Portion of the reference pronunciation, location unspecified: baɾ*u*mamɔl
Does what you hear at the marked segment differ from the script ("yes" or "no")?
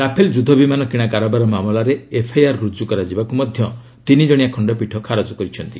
yes